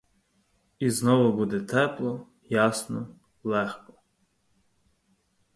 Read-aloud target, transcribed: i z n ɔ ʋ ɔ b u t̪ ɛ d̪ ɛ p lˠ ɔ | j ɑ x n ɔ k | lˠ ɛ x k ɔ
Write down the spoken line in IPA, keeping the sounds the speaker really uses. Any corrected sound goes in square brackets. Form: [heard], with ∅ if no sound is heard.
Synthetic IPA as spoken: i z n ɔ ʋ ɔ b u [d̪] ɛ [t̪] ɛ p lˠ ɔ | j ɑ [s] n ɔ [∅] | lˠ ɛ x k ɔ